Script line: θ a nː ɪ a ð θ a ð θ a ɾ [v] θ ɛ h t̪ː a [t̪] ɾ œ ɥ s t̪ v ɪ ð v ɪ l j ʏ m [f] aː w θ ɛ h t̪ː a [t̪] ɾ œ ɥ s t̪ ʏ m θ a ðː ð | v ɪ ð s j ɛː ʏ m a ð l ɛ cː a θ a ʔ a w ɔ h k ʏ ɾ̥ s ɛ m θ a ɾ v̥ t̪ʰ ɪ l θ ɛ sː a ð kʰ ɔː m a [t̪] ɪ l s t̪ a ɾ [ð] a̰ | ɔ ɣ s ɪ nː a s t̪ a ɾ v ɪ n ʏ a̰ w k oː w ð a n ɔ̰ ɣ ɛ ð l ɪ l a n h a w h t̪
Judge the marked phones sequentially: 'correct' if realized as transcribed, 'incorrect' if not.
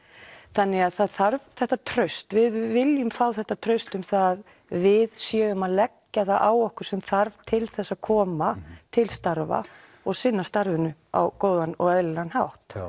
correct, incorrect, correct, incorrect, incorrect, incorrect

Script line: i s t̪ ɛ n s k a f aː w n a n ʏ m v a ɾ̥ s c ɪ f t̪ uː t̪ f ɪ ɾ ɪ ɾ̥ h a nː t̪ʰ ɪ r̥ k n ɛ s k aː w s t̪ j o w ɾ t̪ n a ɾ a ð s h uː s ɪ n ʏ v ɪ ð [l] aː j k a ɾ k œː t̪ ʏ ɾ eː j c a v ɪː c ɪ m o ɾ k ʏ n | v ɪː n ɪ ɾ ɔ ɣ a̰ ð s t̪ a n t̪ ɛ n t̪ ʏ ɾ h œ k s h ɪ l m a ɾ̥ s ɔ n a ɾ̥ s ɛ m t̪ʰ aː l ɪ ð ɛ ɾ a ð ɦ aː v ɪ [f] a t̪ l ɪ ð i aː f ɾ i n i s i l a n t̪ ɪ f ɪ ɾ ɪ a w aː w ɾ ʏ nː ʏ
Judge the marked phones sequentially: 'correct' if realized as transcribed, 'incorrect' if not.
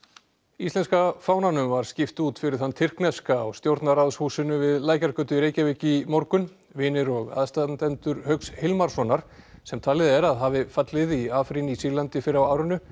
correct, correct

